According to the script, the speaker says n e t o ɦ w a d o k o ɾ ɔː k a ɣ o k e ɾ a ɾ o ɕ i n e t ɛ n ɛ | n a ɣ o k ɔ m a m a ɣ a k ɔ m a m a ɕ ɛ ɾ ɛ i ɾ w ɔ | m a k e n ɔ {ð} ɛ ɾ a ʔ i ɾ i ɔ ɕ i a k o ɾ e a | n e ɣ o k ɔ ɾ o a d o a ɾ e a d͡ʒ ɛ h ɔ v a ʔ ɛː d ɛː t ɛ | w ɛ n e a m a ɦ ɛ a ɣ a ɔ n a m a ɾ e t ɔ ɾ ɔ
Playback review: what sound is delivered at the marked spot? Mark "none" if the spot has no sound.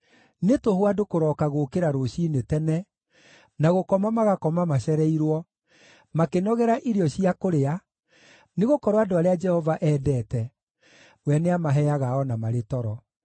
ɣ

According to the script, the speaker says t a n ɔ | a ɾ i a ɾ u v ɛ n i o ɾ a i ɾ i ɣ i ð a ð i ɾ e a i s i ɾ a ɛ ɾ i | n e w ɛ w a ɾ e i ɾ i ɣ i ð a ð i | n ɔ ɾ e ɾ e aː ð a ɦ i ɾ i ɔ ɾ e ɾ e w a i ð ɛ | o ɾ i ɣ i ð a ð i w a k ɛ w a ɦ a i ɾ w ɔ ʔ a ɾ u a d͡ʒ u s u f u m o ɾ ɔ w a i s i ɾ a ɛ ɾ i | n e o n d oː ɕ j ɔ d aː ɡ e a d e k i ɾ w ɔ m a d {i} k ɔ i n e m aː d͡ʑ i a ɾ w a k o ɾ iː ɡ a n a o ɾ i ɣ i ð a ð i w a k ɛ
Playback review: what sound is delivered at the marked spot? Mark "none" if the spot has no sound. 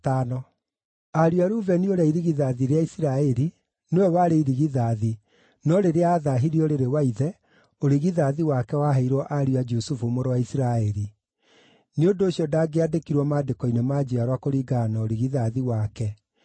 e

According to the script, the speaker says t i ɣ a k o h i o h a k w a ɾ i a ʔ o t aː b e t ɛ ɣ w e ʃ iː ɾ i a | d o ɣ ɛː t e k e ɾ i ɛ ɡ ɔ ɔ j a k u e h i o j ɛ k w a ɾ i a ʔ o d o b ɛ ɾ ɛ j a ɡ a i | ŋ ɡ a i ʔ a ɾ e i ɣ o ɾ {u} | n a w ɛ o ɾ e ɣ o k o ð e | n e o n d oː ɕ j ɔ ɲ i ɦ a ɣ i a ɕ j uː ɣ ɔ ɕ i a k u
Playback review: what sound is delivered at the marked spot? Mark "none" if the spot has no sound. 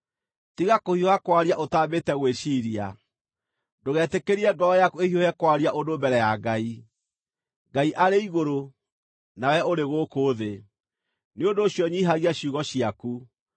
o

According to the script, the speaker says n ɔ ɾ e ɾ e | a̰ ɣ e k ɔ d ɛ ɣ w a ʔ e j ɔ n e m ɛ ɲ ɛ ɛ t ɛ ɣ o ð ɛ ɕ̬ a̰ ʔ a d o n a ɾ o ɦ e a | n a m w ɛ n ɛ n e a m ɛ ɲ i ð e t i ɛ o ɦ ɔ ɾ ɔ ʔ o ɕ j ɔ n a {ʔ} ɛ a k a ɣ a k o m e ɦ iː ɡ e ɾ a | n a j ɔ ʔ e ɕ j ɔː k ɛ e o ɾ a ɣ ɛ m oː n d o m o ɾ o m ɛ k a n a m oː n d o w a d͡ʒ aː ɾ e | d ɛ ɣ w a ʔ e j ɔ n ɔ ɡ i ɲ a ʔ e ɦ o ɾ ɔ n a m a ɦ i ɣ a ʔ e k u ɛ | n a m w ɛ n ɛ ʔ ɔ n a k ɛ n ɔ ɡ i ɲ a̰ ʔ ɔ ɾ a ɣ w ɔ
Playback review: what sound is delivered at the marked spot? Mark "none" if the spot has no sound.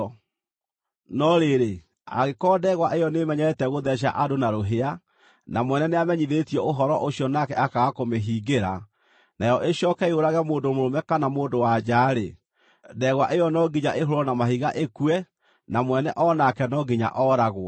k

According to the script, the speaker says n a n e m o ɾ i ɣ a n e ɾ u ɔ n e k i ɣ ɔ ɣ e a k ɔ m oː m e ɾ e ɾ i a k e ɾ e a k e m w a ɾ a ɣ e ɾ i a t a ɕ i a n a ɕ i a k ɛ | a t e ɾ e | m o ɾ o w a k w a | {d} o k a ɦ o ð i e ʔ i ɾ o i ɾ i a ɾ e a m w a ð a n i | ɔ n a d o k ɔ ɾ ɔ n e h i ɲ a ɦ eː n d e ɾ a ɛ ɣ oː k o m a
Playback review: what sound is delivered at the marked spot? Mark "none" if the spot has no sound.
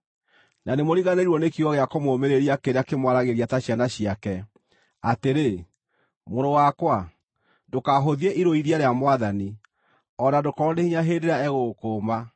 d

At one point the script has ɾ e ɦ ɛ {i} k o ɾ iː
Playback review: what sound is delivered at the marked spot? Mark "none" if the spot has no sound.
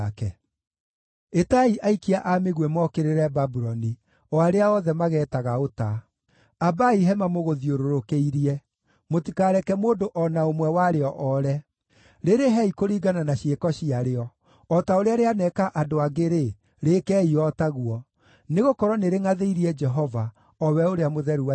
i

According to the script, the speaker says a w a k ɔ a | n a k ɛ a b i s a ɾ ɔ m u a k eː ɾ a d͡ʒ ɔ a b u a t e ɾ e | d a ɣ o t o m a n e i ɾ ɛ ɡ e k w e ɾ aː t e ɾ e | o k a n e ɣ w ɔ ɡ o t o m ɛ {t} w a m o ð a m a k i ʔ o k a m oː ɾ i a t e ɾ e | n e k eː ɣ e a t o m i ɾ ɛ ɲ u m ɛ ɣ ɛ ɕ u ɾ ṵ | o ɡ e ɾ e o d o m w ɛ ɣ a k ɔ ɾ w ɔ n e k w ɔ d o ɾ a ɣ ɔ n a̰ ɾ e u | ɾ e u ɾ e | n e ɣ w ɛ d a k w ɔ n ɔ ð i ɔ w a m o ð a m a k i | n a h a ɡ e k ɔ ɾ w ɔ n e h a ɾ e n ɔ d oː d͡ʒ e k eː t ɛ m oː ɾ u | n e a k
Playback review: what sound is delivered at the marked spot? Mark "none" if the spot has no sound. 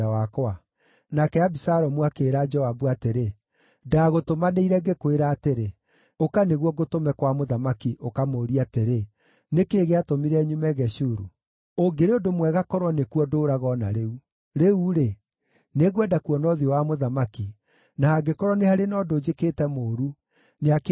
k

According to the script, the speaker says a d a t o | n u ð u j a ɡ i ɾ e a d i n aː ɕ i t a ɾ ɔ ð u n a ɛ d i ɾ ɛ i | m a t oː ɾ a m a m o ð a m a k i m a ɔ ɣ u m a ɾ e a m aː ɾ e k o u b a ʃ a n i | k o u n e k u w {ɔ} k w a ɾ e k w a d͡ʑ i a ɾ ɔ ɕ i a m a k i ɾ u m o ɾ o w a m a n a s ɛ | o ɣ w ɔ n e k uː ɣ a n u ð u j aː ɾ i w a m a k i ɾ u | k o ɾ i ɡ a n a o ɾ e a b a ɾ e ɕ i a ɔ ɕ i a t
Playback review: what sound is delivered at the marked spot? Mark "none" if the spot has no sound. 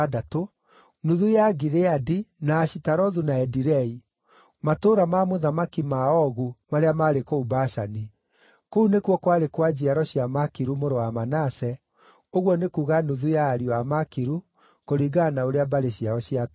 ɔ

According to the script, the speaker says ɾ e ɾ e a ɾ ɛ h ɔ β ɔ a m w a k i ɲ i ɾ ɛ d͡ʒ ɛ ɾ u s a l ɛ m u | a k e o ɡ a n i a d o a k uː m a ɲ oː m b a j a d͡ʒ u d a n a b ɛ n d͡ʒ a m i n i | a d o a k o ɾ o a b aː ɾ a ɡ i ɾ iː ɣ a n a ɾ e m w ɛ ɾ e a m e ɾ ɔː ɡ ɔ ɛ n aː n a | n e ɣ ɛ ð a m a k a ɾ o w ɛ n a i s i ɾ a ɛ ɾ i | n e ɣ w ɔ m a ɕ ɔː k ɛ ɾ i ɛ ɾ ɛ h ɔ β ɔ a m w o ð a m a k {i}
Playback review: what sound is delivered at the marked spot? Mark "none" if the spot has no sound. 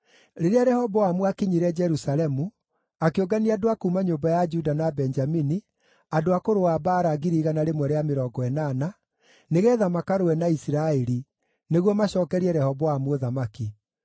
i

